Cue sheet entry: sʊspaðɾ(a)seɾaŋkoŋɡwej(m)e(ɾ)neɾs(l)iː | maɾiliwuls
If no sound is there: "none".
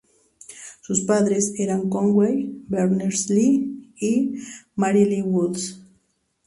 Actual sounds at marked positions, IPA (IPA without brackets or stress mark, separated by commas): e, b, ɾ, l